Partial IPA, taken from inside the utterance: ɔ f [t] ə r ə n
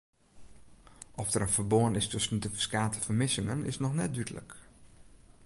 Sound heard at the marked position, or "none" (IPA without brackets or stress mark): d